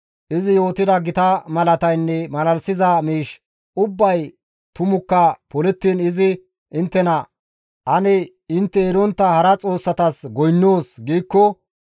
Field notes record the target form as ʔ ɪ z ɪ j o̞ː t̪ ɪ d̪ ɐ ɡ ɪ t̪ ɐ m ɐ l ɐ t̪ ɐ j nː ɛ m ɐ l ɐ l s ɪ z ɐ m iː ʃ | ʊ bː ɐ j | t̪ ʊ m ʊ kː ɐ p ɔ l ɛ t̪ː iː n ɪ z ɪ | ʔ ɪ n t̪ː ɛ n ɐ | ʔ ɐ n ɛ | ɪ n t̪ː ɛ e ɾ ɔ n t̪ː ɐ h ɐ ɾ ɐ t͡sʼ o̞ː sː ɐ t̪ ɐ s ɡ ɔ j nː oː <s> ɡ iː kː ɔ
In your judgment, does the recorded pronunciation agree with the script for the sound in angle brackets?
yes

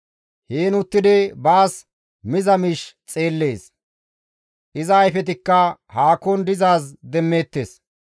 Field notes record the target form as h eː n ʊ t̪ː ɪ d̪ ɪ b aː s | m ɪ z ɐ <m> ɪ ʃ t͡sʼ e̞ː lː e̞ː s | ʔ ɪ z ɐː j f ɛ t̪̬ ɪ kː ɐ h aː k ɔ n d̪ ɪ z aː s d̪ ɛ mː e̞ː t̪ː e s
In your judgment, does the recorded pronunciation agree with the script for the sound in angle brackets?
yes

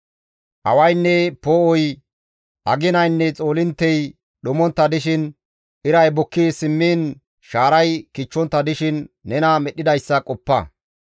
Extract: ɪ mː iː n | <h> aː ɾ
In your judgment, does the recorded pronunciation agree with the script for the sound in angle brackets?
no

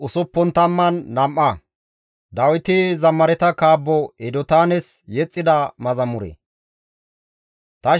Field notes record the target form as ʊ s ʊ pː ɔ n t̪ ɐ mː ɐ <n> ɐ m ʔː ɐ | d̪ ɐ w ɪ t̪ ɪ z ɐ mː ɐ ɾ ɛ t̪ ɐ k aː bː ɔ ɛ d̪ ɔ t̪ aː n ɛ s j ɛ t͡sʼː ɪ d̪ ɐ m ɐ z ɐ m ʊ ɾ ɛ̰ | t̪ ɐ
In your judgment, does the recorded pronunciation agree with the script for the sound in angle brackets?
no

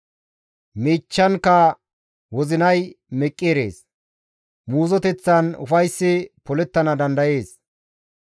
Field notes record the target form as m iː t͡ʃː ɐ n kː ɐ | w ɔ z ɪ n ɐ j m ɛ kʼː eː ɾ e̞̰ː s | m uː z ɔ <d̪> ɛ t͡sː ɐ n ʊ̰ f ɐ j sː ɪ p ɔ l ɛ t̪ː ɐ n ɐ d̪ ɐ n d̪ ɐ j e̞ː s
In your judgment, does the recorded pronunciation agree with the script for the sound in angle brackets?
no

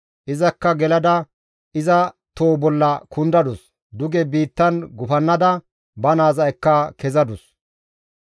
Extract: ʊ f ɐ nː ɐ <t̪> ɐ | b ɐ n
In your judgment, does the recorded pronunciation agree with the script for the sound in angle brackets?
no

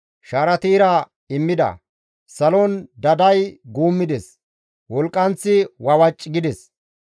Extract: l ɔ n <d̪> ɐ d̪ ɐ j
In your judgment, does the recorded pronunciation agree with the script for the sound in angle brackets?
yes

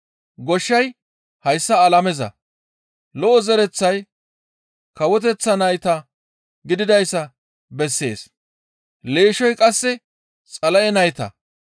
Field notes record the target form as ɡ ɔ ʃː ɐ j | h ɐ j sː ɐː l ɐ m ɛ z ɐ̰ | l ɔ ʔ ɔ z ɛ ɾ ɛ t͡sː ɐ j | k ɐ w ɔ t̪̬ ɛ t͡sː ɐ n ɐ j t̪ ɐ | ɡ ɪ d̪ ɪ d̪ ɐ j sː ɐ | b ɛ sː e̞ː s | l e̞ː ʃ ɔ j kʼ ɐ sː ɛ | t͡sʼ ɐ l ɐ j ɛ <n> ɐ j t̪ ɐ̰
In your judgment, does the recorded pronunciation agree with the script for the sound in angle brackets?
yes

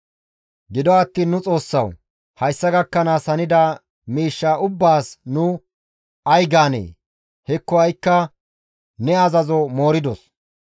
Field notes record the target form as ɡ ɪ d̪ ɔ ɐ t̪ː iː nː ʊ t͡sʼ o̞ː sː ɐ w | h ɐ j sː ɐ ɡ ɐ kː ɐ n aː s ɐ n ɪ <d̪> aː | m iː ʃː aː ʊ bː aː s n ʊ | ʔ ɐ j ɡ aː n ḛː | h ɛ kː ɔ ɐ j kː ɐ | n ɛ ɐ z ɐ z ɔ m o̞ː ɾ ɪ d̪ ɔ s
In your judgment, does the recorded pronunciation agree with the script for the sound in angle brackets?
yes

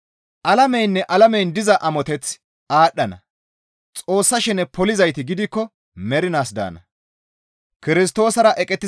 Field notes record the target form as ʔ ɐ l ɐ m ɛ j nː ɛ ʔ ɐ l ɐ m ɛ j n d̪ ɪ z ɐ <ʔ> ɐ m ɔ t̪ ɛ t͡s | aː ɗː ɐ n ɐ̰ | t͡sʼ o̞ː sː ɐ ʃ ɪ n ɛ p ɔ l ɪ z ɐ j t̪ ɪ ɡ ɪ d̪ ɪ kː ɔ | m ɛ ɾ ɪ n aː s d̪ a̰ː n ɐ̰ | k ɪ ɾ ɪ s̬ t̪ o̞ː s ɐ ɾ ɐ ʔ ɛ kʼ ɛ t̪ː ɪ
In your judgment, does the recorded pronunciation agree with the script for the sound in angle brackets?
yes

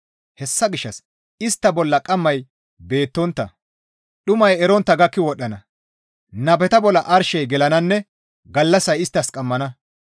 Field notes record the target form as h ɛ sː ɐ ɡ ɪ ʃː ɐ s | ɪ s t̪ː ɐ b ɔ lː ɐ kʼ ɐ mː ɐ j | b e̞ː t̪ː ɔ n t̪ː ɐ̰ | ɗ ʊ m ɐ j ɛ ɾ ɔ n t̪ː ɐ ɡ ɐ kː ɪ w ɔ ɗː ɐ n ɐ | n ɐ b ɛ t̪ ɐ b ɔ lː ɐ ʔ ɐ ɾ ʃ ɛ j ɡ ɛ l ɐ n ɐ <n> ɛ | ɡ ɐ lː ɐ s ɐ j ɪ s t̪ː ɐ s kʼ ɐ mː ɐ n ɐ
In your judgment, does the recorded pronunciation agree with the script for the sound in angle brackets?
no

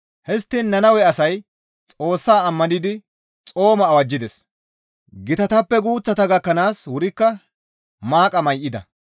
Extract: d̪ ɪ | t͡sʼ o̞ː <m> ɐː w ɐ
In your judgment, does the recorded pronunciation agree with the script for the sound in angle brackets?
yes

